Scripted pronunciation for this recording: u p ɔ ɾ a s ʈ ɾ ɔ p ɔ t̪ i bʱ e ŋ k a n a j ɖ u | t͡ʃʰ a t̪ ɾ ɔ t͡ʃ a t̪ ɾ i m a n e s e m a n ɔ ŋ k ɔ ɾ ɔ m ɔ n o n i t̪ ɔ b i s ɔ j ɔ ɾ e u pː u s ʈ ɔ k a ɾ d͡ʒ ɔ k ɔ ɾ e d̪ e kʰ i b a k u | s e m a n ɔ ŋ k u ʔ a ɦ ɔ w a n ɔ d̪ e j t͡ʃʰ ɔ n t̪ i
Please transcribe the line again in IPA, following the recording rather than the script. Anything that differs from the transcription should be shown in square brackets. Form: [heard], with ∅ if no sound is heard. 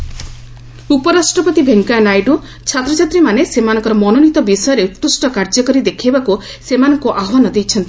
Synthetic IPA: u p ɔ ɾ a s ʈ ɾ ɔ p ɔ t̪ i bʱ e ŋ k a n a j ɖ u | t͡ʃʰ a t̪ ɾ ɔ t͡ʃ a t̪ ɾ i m a n e s e m a n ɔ ŋ k ɔ ɾ ɔ m ɔ n o n i t̪ ɔ b i s ɔ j ɔ ɾ e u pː u s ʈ ɔ k a ɾ d͡ʒ ɔ k ɔ ɾ [i] d̪ e kʰ i b a k u | s e m a n ɔ ŋ k u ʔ a ɦ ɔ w a n ɔ d̪ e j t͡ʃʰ ɔ n t̪ i